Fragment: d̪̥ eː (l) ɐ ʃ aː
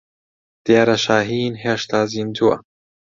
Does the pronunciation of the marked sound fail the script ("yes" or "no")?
yes